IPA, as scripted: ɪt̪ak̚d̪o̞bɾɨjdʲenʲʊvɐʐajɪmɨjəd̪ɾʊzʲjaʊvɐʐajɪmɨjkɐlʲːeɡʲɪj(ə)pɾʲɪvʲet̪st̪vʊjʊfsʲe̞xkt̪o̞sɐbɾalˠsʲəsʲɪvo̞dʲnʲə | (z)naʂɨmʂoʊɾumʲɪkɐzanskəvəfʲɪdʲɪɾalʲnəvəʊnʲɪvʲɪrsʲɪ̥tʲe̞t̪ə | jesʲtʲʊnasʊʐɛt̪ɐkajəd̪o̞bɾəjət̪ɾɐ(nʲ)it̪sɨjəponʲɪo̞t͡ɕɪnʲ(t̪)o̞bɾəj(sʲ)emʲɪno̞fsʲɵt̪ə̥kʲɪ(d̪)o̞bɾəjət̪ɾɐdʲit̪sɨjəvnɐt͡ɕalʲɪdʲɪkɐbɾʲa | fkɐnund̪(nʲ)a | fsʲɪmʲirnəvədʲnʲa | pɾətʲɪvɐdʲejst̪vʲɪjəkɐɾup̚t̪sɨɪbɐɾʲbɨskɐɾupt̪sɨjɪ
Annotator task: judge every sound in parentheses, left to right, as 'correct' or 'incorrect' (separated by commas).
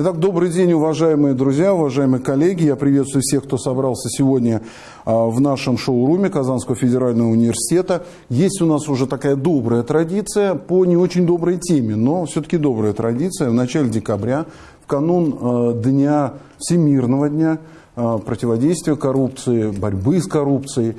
incorrect, incorrect, incorrect, incorrect, incorrect, correct, correct